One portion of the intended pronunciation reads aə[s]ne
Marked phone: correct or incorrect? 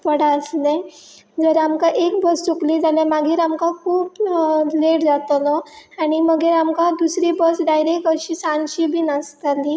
correct